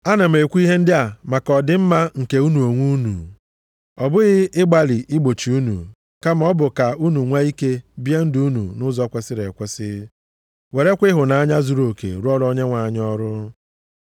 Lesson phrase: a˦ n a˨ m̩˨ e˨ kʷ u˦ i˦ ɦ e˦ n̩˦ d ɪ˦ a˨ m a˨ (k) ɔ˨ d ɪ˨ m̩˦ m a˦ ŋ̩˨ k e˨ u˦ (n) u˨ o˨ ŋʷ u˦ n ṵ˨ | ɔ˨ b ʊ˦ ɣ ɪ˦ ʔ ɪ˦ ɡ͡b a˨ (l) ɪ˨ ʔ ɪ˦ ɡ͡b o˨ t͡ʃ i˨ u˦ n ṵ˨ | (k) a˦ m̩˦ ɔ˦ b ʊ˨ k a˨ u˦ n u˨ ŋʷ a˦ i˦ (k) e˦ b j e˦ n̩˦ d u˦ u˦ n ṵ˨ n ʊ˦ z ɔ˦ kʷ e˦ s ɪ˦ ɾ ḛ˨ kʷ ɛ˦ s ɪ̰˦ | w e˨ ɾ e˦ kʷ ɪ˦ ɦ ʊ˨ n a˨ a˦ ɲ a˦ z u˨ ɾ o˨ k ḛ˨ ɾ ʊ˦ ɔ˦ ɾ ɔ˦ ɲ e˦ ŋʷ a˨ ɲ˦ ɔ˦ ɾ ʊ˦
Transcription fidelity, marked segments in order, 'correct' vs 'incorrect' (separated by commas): correct, correct, correct, correct, correct